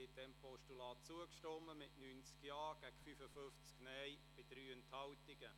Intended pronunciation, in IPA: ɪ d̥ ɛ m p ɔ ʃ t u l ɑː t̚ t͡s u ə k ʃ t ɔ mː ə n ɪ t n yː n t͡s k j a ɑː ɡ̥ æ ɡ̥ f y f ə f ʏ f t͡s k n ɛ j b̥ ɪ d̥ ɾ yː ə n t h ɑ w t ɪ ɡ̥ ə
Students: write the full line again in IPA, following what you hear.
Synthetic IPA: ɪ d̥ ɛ m p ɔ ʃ t u l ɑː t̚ t͡s u ə k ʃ t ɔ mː ə m ɪ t n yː n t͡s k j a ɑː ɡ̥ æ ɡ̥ f y f ə f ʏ f t͡s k n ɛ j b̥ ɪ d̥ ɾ yː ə n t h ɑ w t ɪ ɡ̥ ə